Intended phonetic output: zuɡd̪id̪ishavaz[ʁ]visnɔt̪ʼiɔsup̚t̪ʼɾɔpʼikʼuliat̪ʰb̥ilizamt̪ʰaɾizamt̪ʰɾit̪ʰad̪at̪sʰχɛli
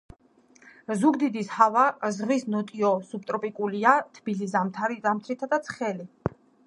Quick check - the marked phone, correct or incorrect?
correct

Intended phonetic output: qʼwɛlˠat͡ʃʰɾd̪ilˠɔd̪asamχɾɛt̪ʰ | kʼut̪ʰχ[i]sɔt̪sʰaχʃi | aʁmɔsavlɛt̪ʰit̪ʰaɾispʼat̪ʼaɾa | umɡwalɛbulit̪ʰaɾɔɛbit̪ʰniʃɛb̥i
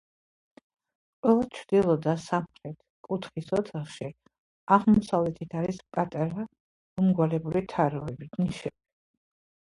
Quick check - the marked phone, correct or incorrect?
correct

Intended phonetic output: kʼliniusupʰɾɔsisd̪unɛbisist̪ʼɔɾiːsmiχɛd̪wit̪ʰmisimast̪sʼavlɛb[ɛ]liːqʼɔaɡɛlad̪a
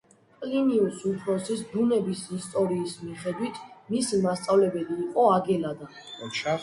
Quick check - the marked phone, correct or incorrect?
correct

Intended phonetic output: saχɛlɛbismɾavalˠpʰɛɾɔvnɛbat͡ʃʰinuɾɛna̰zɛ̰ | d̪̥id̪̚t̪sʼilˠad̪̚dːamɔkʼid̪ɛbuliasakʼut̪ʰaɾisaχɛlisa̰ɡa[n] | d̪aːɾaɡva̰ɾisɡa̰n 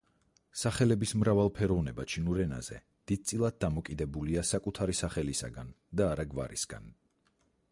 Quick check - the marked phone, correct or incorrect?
correct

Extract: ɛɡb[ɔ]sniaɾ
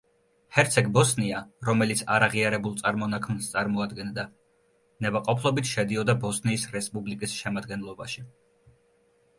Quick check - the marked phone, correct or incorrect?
correct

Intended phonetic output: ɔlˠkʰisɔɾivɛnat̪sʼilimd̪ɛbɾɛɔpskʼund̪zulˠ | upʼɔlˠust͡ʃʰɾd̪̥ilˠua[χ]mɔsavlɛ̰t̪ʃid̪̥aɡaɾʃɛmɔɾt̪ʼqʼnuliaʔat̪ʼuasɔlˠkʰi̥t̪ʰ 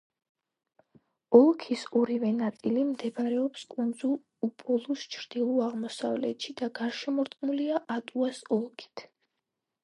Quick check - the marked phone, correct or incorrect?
incorrect: ʁ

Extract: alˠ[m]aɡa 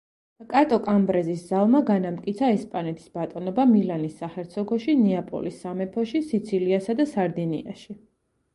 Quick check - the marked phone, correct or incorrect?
correct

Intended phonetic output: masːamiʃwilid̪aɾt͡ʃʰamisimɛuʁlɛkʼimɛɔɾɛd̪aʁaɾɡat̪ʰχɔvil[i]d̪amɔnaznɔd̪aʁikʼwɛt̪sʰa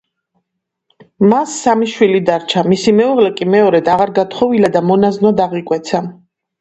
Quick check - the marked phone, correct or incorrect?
incorrect: a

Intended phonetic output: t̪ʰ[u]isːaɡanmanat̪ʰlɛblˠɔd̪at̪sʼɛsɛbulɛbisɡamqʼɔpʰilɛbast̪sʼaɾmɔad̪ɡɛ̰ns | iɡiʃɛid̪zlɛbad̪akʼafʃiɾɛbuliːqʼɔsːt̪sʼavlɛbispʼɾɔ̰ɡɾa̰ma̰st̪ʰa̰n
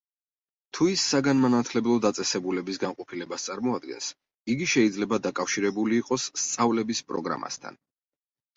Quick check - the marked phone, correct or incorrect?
correct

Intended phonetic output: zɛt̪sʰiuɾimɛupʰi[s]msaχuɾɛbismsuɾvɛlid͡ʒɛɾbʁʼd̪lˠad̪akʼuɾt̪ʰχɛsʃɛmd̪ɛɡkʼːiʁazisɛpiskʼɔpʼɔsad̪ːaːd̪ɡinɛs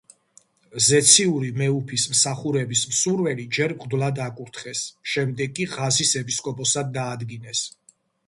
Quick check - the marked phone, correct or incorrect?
correct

